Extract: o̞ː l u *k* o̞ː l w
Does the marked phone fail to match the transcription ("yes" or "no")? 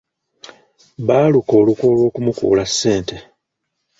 no